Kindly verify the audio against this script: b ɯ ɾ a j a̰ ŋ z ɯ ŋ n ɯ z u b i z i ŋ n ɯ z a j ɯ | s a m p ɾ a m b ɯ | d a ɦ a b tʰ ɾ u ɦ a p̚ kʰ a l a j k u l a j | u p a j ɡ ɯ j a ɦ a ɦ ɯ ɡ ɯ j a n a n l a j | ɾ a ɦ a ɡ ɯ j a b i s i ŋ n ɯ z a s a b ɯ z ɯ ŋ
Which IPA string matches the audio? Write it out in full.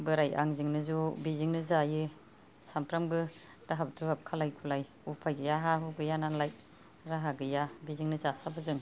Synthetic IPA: b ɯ ɾ a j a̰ ŋ z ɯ ŋ n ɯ z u b i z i ŋ n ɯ z a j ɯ | s a m p ɾ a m b ɯ | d a ɦ a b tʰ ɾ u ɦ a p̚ kʰ a l a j kʰ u l a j | u pʰ a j ɡ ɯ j a ɦ a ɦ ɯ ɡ ɯ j a n a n l a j | ɾ a ɦ a ɡ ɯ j a b i z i ŋ n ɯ z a s a b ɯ z ɯ ŋ